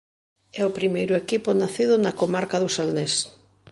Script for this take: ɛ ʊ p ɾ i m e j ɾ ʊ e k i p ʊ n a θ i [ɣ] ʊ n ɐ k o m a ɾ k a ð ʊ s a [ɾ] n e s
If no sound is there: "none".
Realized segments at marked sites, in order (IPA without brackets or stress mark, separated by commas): ð, l